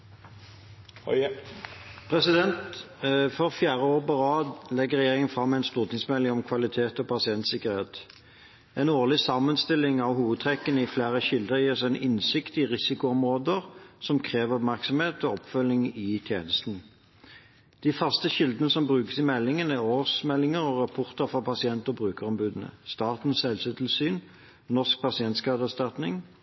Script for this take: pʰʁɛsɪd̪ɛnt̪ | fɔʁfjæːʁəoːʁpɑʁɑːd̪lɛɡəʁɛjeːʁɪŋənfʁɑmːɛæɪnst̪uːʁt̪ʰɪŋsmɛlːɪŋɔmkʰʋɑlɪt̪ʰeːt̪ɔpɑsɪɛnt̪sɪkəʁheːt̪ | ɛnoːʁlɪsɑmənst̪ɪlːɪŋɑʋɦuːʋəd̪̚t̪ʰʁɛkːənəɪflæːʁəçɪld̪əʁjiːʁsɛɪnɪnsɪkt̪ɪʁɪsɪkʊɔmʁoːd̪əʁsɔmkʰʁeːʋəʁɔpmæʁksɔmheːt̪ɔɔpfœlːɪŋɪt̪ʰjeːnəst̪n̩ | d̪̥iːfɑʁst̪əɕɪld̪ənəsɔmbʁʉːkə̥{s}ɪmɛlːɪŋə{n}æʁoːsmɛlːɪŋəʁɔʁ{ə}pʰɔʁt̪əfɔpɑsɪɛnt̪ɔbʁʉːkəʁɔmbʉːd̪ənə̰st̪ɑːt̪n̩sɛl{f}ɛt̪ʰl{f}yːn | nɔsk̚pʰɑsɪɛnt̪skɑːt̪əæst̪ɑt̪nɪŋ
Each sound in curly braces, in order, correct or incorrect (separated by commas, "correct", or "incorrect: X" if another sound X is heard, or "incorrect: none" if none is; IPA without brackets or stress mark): correct, correct, incorrect: ɑ, incorrect: s, incorrect: s